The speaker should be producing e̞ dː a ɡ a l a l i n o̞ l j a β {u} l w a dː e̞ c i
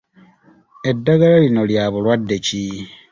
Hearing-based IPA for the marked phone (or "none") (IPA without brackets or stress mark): u